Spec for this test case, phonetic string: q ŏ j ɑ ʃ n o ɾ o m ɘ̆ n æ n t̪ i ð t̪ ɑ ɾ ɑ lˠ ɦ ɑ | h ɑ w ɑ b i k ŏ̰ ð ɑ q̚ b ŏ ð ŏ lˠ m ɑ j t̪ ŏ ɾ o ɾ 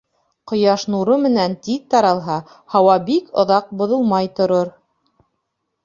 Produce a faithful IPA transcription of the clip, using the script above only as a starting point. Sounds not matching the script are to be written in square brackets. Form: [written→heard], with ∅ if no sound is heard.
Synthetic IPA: q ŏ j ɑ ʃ n [o→u] ɾ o m ɘ̆ n æ n t̪ i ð t̪ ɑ ɾ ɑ lˠ ɦ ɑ | h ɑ w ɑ b i k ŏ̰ ð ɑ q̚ b ŏ ð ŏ lˠ m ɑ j t̪ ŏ ɾ o ɾ

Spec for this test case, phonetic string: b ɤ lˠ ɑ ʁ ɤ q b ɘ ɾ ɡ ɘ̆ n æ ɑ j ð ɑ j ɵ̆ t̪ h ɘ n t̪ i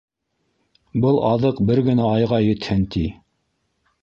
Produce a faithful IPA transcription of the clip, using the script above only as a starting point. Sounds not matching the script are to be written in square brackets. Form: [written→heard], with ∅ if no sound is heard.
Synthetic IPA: b ɤ lˠ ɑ [ʁ→ð] ɤ q b ɘ ɾ ɡ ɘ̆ n æ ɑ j [ð→ʁ] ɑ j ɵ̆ t̪ h ɘ n t̪ i

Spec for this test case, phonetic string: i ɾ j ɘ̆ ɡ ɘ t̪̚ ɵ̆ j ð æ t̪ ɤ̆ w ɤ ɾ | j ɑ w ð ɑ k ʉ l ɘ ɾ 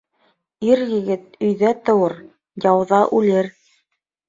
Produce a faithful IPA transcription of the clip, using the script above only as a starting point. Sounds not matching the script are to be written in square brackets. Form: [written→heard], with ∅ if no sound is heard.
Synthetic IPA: i ɾ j ɘ̆ ɡ ɘ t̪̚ ɵ̆ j ð æ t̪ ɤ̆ w ɤ ɾ | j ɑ w ð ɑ [k→ʔ] ʉ l ɘ ɾ

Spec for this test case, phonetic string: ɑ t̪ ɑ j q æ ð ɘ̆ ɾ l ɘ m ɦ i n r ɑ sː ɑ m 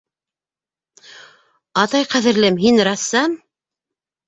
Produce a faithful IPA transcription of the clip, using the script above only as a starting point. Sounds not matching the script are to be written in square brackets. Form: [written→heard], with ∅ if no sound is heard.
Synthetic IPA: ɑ t̪ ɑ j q æ ð ɘ̆ ɾ l ɘ m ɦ i n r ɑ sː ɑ m

